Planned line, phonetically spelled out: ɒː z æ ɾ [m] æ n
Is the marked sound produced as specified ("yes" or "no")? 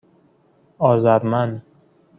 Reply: yes